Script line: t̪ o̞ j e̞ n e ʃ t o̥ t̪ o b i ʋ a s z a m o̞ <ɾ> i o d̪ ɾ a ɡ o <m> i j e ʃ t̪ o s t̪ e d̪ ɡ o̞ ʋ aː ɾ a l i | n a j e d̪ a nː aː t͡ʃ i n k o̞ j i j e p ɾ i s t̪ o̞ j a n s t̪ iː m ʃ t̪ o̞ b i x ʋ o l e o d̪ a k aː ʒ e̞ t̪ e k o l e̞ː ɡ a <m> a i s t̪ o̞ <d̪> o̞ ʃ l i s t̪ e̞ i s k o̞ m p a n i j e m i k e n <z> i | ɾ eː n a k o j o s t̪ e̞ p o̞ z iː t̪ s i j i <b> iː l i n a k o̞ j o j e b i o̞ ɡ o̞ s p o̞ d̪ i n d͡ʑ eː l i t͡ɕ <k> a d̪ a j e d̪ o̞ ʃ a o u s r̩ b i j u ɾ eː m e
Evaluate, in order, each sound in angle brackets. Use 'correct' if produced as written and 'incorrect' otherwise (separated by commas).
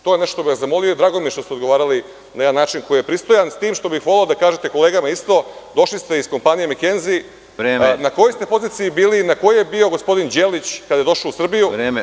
incorrect, correct, correct, correct, correct, correct, correct